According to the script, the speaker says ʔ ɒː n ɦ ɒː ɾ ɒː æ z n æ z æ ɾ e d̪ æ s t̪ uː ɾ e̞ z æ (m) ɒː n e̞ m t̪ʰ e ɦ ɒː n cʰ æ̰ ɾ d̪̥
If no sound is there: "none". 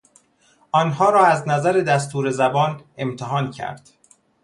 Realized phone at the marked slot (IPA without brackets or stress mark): b